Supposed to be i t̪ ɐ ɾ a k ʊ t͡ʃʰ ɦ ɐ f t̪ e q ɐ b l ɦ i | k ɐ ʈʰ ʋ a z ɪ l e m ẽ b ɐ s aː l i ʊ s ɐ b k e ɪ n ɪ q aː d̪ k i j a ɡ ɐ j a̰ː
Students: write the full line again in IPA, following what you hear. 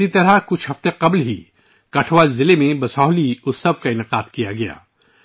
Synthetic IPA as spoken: i t̪ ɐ ɾ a k ʊ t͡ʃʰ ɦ ɐ f t̪ e q ɐ b l ɦ i | k ɐ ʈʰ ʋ a z ɪ l e m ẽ b ɐ s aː l i ʊ s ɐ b k a ɪ n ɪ q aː d̪ k i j a ɡ ɐ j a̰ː